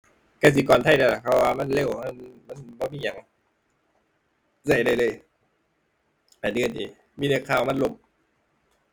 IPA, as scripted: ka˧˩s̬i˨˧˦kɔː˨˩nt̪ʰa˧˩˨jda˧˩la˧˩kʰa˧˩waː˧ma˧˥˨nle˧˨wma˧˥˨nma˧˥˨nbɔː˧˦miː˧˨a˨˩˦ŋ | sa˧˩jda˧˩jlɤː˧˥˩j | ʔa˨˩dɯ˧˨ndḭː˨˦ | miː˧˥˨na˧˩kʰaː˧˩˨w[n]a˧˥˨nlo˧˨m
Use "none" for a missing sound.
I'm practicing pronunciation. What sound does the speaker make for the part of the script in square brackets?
m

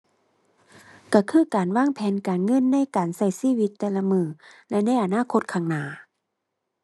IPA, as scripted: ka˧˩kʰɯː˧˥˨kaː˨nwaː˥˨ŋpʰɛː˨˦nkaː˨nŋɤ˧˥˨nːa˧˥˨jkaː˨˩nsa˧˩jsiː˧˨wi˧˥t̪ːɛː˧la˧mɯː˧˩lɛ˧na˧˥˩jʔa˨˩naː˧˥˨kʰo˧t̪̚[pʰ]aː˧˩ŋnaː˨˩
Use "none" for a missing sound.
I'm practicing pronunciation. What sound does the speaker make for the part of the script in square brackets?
kʰ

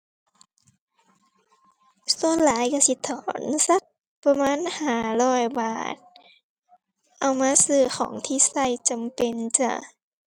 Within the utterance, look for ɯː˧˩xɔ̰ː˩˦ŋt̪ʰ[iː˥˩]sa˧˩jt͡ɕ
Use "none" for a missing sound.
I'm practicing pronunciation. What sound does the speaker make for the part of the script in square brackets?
iː˧˨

